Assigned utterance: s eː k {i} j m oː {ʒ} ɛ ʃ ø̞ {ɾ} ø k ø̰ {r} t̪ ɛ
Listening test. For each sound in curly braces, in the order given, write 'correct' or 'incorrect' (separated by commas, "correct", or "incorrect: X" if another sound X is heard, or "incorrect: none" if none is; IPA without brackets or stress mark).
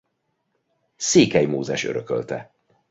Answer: incorrect: ɛ, incorrect: z, correct, incorrect: l